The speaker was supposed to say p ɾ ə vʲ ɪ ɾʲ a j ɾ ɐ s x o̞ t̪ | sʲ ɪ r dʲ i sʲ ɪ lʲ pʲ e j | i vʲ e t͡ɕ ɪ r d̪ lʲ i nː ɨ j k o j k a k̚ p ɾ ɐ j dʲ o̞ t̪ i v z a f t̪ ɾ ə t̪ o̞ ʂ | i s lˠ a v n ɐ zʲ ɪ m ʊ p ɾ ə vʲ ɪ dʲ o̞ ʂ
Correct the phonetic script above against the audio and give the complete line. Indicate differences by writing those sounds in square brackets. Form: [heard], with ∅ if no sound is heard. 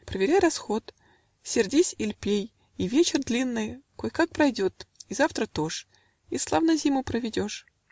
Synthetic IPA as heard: p ɾ ə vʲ ɪ ɾʲ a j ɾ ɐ s x o̞ t̪ | sʲ ɪ r dʲ i sʲ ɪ lʲ pʲ e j | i vʲ e t͡ɕ ɪ r d̪ lʲ i nː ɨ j k o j k a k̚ p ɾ ɐ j dʲ o̞ t̪ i [∅] z a f t̪ ɾ ə t̪ o̞ ʂ | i s lˠ a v n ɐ zʲ [i] m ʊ p ɾ ə vʲ ɪ dʲ o̞ ʂ